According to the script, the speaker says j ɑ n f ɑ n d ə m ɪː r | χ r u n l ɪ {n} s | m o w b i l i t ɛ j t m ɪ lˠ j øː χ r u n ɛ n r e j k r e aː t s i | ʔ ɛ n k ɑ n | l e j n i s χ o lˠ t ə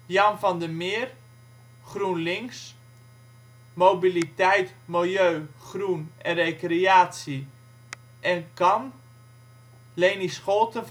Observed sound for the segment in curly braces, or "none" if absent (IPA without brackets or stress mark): ŋ